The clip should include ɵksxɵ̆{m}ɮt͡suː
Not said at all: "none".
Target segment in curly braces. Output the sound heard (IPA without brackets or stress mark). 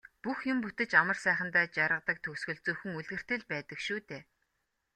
none